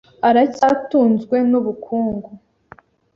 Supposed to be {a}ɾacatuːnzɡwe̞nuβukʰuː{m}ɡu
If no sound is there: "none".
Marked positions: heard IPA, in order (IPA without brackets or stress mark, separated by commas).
a, ŋ